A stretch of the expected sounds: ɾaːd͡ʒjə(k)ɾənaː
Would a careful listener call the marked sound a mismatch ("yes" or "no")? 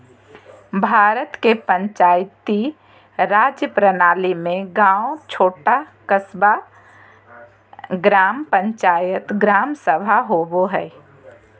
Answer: yes